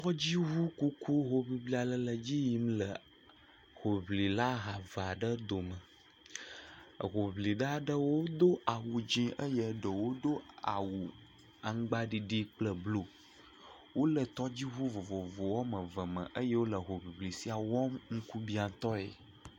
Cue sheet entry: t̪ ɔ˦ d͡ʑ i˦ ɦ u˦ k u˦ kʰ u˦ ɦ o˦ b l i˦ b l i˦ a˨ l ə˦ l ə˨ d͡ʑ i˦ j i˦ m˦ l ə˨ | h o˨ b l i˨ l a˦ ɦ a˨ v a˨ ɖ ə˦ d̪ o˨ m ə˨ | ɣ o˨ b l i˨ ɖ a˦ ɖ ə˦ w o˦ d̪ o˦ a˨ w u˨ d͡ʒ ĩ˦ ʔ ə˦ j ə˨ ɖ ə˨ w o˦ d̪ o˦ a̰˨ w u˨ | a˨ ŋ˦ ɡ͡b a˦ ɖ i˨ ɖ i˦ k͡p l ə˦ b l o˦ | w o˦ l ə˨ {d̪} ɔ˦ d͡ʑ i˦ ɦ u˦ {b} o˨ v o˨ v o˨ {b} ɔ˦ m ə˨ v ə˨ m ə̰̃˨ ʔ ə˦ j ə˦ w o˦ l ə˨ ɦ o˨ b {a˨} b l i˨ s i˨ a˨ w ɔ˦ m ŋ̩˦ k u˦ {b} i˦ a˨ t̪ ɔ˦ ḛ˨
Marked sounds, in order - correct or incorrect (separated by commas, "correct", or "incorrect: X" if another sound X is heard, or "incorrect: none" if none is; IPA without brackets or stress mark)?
incorrect: t̪, incorrect: v, incorrect: w, incorrect: i˨, correct